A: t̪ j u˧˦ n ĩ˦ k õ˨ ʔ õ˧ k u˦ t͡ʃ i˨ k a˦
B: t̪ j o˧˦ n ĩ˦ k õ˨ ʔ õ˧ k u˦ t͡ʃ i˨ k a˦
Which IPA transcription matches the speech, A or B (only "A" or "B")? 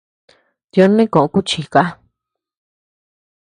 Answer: B